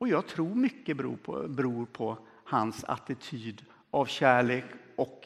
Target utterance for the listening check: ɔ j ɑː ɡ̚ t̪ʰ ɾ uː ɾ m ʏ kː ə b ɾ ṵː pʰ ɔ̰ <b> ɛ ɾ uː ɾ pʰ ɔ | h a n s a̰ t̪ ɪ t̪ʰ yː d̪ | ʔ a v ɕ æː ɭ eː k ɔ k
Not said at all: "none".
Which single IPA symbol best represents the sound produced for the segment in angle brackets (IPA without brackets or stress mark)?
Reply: b